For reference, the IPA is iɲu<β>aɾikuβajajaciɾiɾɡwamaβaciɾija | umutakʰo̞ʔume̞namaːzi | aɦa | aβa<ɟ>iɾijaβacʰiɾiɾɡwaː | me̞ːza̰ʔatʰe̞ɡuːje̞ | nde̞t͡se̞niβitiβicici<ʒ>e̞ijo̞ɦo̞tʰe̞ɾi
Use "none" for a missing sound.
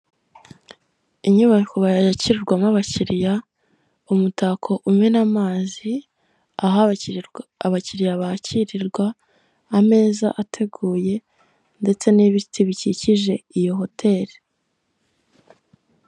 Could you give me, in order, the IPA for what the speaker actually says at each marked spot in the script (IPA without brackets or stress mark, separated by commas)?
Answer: β, c, ʒ